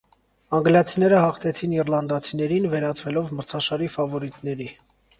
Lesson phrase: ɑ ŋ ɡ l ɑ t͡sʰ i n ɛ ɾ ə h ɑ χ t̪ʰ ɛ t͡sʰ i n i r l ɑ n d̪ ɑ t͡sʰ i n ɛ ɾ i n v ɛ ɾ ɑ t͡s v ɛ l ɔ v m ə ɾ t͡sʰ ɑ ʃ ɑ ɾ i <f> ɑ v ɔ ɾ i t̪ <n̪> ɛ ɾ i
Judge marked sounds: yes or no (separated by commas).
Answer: yes, yes